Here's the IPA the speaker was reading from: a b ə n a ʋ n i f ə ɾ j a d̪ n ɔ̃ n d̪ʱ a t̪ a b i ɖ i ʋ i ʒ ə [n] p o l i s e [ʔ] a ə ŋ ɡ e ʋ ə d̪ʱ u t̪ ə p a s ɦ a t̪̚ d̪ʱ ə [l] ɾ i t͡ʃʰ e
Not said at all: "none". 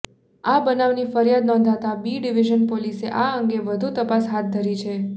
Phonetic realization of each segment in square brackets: n, ʔ, none

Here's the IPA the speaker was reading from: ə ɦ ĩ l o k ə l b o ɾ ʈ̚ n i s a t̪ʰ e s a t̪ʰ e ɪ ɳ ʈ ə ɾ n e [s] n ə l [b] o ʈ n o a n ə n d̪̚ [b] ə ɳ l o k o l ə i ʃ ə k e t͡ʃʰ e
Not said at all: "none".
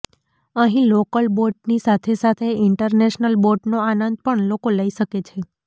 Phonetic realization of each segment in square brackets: ʃ, b, p

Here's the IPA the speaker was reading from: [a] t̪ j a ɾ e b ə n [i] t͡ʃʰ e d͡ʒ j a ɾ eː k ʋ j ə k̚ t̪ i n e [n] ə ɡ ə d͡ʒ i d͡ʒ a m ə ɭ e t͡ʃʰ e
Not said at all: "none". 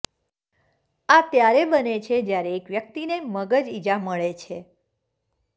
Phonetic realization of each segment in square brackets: a, e, m

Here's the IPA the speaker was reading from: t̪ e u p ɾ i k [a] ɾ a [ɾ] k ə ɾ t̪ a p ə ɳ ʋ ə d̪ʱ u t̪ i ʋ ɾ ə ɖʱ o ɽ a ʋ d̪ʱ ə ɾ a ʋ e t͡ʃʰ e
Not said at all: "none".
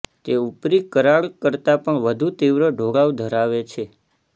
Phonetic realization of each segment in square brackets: ə, ɭ

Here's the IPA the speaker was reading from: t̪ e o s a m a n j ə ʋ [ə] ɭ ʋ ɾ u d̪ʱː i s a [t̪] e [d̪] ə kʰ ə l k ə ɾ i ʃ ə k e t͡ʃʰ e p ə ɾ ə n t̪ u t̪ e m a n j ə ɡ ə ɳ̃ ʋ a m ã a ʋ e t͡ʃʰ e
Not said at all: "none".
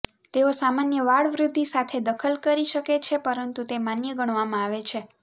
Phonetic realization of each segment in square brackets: a, t̪ʰ, d̪

